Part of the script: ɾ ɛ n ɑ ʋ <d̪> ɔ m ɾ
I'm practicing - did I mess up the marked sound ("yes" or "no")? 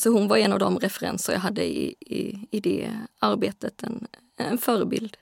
no